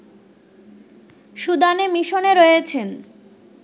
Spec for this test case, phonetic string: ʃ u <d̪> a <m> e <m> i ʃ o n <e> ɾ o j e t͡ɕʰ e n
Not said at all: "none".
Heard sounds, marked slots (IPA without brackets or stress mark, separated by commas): d̪, n, m, e